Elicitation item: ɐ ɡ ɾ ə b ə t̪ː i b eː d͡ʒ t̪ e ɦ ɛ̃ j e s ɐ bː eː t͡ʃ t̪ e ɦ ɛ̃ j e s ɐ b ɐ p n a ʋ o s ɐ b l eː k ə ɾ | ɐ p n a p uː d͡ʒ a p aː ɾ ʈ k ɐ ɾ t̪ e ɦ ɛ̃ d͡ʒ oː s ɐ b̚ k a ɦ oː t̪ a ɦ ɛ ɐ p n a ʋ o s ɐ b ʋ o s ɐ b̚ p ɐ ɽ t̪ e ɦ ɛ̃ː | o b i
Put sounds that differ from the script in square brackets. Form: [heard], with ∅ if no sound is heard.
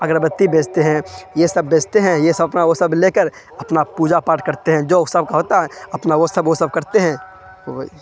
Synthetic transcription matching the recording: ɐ ɡ ɾ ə b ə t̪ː i b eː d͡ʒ t̪ e ɦ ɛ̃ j e s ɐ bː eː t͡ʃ t̪ e ɦ ɛ̃ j e s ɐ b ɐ p n a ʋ o s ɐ b l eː k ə ɾ | ɐ p n a p uː d͡ʒ a p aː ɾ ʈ k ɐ ɾ t̪ e ɦ ɛ̃ d͡ʒ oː s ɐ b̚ k a ɦ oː t̪ a ɦ ɛ ɐ p n a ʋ o s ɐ b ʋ o s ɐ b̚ [k] ɐ [ɾ] t̪ e ɦ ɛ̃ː | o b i